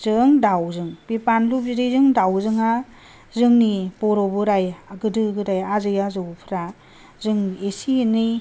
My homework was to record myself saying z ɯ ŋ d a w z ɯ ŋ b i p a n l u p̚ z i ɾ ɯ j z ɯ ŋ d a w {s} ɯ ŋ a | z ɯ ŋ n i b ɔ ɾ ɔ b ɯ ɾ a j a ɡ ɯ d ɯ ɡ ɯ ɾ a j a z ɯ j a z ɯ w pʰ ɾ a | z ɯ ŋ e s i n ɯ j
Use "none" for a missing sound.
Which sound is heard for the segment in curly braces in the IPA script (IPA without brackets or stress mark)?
z